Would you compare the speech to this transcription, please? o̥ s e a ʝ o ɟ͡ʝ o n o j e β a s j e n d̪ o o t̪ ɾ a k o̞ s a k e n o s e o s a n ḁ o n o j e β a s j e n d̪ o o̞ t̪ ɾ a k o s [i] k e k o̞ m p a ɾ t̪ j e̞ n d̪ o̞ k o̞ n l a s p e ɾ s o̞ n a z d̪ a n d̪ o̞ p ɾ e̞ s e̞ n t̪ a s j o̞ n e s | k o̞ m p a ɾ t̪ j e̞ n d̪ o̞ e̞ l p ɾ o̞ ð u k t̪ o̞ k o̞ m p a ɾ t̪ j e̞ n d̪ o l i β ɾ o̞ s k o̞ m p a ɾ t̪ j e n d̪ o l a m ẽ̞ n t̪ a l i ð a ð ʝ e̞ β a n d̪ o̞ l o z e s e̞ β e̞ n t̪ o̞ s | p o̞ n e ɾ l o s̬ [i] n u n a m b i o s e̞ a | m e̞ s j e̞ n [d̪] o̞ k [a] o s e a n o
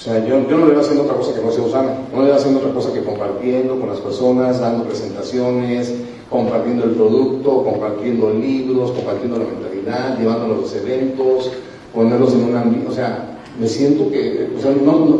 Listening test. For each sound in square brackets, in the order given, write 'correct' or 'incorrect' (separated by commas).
incorrect, incorrect, incorrect, incorrect